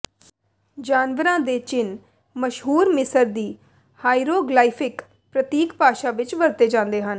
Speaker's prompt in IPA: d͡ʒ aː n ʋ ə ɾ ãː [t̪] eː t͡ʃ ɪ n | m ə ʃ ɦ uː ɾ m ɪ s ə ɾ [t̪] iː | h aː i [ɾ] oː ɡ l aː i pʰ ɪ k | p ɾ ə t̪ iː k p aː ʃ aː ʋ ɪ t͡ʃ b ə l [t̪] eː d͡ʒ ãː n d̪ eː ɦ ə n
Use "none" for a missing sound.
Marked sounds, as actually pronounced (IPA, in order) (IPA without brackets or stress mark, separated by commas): d̪, d̪, ɾ, t̪